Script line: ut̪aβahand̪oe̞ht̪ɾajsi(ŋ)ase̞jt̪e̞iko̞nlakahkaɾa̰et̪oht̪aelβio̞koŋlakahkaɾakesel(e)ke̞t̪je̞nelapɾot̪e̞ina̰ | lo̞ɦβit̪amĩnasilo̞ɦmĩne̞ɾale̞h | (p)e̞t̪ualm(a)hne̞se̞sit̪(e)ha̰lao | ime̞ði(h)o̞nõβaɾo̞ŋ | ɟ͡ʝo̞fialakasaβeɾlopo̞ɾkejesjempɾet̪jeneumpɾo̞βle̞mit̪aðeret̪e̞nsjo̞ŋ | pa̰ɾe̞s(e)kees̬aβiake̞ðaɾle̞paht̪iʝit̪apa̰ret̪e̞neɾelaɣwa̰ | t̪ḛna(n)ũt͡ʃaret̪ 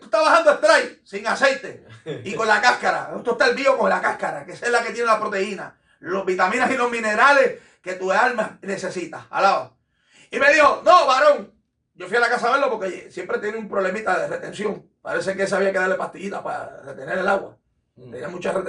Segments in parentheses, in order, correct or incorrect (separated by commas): correct, incorrect, incorrect, correct, incorrect, correct, correct, incorrect